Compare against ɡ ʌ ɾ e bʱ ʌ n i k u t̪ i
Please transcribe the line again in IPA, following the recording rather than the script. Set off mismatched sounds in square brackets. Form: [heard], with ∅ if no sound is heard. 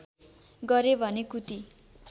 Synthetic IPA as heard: ɡ ʌ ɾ e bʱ ʌ n [e] k u t̪ i